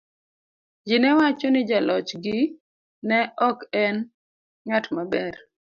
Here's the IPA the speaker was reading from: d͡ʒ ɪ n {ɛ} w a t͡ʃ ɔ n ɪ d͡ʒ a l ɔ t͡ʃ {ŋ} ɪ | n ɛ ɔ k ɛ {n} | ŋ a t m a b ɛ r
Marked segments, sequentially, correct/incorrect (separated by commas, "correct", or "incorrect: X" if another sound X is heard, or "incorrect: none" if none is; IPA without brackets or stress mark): correct, incorrect: ɡ, correct